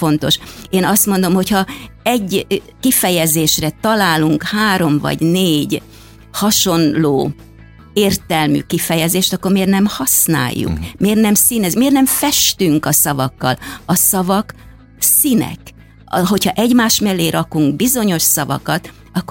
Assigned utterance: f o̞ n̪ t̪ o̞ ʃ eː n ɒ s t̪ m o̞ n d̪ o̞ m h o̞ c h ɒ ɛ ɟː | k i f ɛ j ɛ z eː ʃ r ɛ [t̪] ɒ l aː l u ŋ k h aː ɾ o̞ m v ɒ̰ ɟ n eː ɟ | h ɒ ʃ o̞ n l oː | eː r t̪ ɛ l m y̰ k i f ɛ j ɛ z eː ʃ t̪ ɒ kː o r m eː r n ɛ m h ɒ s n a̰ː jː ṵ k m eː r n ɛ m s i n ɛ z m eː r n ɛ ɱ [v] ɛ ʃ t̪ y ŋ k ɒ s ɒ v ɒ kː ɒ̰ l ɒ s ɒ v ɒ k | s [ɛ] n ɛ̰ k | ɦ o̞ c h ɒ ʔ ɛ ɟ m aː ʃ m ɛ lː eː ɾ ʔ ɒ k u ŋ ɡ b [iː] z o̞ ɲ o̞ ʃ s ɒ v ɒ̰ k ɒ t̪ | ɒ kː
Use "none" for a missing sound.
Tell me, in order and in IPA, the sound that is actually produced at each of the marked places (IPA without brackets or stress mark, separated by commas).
t̪, f, i, i